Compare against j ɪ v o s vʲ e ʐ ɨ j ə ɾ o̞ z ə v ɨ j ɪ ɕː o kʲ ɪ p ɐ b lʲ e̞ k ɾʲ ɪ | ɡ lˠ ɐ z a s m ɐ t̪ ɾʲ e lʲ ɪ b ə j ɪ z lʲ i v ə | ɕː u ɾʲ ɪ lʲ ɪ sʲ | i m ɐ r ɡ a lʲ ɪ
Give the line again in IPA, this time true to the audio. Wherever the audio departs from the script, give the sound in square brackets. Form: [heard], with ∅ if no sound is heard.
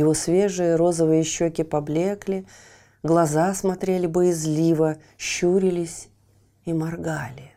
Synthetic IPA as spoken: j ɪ v o s vʲ e ʐ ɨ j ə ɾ o̞ z ə v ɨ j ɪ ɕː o kʲ ɪ p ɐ b lʲ e̞ k [lʲ] ɪ | ɡ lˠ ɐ z a s m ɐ t̪ ɾʲ e lʲ ɪ b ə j ɪ z lʲ i v ə | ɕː u ɾʲ ɪ lʲ ɪ sʲ | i m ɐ r ɡ a lʲ ɪ